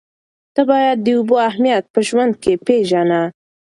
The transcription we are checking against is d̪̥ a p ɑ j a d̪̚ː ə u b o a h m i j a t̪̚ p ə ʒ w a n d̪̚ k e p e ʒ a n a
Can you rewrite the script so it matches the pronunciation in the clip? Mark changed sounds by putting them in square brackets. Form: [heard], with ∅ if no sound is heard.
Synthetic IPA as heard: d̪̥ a [b] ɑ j a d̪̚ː ə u b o a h m i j a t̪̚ p ə ʒ w a n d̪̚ k e p e ʒ a n a